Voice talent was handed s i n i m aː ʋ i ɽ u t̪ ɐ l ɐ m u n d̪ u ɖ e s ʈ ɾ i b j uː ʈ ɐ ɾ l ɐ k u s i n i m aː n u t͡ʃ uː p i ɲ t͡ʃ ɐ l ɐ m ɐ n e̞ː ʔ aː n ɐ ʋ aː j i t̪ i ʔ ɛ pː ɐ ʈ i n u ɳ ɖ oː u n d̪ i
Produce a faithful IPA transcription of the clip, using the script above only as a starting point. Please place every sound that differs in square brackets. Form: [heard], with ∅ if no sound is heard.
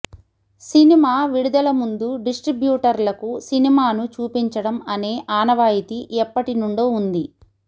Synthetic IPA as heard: s i n i m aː ʋ i ɽ u [d̪] ɐ l ɐ m u n d̪ u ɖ [i] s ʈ ɾ i b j uː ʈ ɐ ɾ l ɐ k u s i n i m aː n u t͡ʃ uː p i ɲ t͡ʃ ɐ [ɽ] ɐ m ɐ n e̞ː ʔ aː n ɐ ʋ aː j i t̪ i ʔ ɛ pː ɐ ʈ i n u ɳ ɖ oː u n d̪ i